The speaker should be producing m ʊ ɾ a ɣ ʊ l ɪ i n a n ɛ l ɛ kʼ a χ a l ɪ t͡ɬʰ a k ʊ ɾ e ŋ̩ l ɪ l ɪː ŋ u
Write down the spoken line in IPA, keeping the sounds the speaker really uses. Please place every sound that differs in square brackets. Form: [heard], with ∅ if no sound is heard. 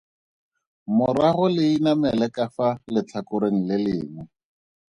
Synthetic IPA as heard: m ʊ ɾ a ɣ ʊ l ɪ i n a [m] ɛ l ɛ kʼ a [f] a l ɪ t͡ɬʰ a k ʊ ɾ e ŋ̩ l ɪ l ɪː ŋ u